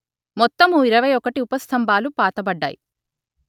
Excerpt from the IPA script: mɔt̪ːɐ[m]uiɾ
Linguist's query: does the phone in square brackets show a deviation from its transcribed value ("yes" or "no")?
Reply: no